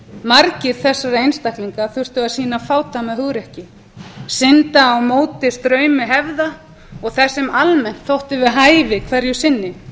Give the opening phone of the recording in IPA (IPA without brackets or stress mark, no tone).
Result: m